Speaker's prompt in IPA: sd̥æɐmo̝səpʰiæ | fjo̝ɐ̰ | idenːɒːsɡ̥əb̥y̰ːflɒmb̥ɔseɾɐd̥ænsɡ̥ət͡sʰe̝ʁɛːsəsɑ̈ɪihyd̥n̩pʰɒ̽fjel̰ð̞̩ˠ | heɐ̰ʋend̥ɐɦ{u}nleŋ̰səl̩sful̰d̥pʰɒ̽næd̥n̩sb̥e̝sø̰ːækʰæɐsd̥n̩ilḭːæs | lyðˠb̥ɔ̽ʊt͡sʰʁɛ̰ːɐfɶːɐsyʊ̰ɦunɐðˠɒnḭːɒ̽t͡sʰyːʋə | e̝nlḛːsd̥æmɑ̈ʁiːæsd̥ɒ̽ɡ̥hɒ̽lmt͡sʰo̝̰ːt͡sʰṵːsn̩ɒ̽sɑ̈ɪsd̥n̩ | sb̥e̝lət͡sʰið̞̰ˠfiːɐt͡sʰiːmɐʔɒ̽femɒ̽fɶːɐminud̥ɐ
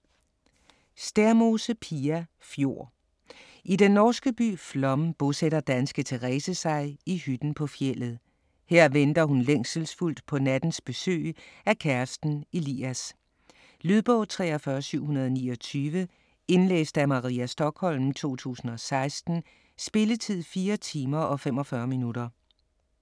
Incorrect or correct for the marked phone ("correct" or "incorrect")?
correct